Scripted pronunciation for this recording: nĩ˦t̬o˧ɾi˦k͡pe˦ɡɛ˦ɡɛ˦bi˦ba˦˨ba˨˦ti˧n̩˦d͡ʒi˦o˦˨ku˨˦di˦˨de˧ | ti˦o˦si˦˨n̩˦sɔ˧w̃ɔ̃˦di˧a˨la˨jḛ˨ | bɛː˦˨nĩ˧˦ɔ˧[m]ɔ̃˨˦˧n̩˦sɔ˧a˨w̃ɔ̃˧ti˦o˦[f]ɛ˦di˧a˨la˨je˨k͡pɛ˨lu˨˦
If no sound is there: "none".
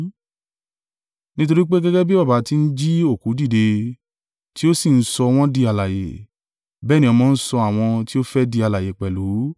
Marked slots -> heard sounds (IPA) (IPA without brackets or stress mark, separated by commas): m, f